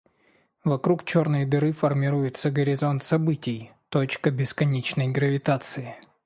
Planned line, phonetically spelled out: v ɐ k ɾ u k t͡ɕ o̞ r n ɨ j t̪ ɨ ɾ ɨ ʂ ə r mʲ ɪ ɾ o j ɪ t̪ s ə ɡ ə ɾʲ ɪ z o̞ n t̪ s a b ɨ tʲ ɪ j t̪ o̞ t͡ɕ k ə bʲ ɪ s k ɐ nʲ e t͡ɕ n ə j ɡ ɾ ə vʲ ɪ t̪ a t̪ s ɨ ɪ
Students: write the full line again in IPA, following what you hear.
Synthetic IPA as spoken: v ɐ k ɾ u k t͡ɕ o̞ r n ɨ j d̪ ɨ ɾ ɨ f ə r mʲ ɪ ɾ u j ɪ t̪ s ə ɡ ə ɾʲ ɪ z o̞ n t̪ s ɐ b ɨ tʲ ɪ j t̪ o̞ t͡ɕ k ə bʲ ɪ s k ɐ nʲ e t͡ɕ n ə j ɡ ɾ ə vʲ ɪ t̪ a t̪ s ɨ ɪ